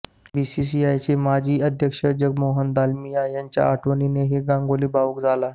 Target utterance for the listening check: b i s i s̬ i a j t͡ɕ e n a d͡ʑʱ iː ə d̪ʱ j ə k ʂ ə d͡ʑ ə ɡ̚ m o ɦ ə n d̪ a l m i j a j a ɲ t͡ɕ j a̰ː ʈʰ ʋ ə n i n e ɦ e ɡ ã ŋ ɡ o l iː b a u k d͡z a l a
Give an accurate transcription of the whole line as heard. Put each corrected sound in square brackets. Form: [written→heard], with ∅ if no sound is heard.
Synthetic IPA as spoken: b i s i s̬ i a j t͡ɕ e [n→m] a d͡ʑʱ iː ə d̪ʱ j ə k ʂ ə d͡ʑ ə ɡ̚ m o ɦ ə n d̪ a l m i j a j a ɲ t͡ɕ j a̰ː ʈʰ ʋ ə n i n e ɦ e ɡ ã ŋ ɡ o l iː b a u k d͡z a l a